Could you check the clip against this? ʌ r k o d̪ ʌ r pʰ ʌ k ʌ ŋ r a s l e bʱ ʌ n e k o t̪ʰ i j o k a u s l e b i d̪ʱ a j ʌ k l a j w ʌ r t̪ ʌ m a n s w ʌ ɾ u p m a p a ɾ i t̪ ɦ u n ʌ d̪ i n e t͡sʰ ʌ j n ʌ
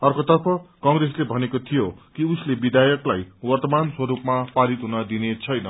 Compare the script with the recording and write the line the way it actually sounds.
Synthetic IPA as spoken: ʌ r k o t̪ ʌ r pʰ ʌ k ʌ ŋ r e s l e bʱ ʌ n e k o t̪ʰ i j o k i u s l e b i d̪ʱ a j ʌ k l a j w ʌ r t̪ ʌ m a n s w ʌ ɾ u p m a p a ɾ i t̪ ɦ u n ʌ d̪ i n e t͡sʰ ʌ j n ʌ